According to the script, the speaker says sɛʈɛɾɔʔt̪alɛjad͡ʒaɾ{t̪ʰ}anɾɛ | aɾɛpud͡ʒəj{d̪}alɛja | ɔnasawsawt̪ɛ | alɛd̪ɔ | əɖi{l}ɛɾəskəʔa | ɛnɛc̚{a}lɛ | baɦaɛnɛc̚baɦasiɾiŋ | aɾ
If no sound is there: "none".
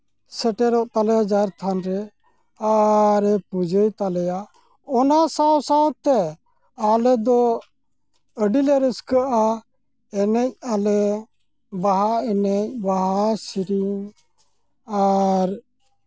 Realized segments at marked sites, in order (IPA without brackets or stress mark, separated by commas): t̪ʰ, t̪, l, a